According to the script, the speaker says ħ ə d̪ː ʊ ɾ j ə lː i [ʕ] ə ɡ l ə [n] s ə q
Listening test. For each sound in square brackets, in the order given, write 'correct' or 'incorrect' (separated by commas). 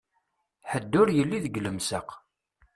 incorrect, incorrect